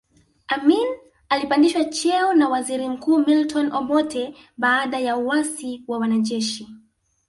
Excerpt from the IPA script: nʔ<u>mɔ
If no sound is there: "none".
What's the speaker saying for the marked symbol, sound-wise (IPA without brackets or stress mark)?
ɔ